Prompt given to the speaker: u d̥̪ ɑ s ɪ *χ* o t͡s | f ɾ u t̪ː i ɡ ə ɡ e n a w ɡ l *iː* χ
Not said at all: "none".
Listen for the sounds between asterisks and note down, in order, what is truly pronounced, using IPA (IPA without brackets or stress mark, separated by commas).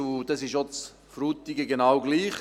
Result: ʃ, iː